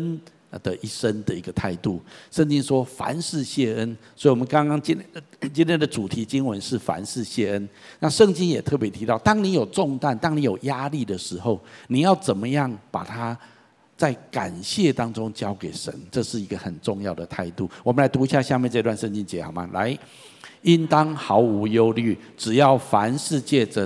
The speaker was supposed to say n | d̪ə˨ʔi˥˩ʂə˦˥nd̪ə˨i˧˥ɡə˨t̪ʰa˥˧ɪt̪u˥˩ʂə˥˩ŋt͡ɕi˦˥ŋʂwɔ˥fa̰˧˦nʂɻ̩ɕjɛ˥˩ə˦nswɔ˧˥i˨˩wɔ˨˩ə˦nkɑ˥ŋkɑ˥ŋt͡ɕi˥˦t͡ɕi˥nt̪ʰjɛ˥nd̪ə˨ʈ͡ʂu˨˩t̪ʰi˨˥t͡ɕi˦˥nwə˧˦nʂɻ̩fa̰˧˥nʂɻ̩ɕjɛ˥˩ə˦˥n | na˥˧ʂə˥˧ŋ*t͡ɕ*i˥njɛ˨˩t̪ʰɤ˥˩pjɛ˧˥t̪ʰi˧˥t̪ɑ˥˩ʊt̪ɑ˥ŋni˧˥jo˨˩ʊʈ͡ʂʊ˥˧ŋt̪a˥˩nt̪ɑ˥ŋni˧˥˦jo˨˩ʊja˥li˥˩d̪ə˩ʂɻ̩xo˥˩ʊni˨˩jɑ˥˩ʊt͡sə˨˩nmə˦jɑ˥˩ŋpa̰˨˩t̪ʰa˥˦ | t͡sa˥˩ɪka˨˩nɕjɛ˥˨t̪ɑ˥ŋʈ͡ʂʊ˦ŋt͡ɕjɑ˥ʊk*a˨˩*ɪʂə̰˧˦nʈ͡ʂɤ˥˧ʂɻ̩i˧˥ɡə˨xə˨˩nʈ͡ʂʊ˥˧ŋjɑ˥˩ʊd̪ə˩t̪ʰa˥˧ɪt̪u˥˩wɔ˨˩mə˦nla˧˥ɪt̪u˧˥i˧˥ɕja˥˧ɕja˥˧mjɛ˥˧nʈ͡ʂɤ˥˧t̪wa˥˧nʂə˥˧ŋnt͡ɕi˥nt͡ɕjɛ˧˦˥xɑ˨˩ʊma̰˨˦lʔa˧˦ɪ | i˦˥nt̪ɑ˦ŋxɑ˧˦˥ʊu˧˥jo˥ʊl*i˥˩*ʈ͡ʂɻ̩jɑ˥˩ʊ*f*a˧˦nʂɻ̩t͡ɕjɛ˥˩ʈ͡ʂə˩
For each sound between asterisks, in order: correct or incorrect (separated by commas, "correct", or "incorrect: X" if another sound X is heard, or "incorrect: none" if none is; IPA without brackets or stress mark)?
correct, incorrect: e˨˩, incorrect: y˥˩, correct